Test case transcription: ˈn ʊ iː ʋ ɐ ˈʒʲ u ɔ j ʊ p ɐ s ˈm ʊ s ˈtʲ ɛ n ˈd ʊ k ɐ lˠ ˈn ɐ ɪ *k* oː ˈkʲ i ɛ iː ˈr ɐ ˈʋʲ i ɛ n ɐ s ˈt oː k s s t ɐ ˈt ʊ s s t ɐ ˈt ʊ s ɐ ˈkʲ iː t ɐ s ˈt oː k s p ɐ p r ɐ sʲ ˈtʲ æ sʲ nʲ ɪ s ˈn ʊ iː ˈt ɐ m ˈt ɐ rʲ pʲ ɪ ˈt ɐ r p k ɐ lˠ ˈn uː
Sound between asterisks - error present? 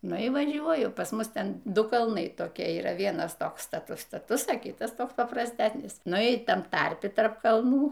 yes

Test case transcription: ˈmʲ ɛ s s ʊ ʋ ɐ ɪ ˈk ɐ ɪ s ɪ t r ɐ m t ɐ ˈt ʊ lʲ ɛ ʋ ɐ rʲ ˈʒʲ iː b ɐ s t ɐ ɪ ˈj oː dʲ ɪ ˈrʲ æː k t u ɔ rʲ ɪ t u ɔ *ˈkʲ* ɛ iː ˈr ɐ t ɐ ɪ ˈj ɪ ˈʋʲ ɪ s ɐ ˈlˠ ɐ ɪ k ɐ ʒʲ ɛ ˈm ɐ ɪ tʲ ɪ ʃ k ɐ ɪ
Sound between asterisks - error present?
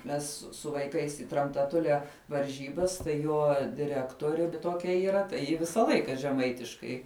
no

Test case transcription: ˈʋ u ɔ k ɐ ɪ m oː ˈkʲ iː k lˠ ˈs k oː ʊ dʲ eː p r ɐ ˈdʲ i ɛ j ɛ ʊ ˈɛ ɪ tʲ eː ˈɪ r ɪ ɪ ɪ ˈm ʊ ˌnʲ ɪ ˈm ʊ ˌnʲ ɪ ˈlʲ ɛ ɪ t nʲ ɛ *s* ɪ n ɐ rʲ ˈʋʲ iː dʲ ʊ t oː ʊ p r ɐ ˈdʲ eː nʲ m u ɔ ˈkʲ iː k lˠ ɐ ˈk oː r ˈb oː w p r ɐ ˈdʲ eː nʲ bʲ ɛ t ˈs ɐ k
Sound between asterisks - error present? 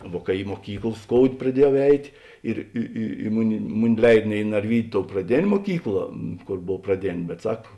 yes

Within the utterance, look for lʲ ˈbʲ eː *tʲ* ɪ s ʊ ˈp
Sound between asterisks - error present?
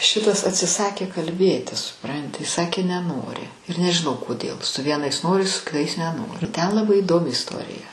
no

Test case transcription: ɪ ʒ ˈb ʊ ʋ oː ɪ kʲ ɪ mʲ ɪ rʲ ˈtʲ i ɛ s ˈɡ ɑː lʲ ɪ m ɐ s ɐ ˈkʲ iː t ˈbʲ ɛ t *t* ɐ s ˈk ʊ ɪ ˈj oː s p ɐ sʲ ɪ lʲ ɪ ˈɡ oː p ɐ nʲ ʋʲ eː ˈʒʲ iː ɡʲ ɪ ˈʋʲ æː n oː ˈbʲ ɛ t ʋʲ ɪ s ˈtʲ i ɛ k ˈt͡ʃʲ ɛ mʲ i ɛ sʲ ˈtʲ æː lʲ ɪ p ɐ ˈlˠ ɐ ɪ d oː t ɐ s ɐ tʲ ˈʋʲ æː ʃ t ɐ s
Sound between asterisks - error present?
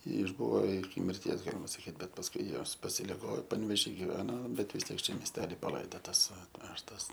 yes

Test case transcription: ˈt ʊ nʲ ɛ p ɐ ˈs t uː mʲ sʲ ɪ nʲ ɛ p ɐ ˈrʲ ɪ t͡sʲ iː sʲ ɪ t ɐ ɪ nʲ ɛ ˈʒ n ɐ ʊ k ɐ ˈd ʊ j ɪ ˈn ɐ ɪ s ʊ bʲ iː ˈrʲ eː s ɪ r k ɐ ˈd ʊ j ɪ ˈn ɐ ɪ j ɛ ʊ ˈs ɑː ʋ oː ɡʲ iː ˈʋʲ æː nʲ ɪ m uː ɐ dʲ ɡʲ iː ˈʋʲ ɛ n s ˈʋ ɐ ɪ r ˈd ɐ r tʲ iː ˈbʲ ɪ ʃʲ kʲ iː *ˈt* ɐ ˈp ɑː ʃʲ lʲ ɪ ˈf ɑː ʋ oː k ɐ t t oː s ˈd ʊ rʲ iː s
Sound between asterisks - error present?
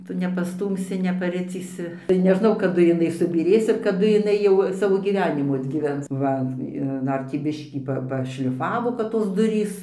yes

